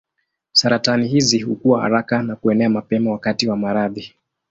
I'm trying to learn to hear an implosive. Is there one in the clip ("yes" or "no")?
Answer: no